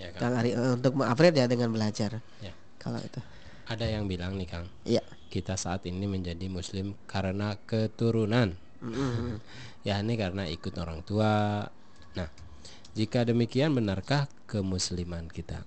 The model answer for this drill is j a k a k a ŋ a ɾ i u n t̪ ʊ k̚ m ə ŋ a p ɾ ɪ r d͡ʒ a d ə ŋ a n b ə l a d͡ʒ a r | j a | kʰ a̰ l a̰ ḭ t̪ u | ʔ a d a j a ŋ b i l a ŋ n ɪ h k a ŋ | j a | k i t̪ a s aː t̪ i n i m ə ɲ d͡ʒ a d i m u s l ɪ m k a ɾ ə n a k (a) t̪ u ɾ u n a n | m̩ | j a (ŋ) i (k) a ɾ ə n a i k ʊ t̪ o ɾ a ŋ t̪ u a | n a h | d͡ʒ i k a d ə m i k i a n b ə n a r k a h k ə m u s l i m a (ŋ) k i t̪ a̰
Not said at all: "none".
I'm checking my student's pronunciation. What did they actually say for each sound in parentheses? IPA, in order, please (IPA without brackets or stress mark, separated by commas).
ə, n, k, n